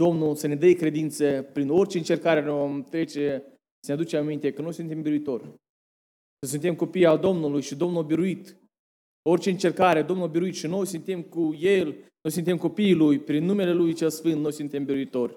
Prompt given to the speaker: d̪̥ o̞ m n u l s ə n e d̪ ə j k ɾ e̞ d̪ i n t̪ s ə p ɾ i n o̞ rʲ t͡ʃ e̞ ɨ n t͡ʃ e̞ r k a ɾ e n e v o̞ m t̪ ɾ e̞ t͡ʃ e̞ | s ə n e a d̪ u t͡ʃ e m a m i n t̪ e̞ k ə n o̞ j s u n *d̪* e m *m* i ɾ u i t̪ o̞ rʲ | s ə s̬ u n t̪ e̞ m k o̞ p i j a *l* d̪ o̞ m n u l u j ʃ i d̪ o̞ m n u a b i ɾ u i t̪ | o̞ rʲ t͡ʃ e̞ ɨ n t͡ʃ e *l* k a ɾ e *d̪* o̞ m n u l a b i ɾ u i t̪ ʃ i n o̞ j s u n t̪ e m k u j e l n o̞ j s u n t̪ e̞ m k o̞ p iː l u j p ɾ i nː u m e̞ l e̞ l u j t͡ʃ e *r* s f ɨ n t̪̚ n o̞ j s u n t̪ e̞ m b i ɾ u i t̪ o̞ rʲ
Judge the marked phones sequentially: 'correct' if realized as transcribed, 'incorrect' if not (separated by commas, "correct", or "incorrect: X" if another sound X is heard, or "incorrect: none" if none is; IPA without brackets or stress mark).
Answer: incorrect: t̪, incorrect: b, correct, incorrect: r, correct, incorrect: l